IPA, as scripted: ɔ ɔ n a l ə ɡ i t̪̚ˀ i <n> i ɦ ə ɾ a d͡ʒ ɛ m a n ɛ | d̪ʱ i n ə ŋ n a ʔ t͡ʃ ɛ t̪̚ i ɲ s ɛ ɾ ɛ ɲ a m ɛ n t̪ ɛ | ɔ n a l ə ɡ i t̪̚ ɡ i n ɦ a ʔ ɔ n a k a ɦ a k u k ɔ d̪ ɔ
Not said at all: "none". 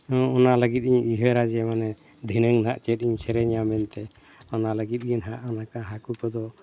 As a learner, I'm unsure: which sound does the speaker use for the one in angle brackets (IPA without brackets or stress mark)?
ɲ